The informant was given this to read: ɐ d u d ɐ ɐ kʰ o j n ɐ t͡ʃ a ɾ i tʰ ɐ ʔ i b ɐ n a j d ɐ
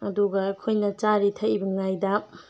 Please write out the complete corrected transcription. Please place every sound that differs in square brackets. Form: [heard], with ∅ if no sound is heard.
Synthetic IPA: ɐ d u [ɡ] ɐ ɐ kʰ o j n ɐ t͡ʃ a ɾ i tʰ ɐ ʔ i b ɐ [ŋ] a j d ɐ